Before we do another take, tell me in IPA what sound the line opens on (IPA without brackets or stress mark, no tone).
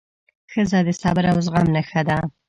x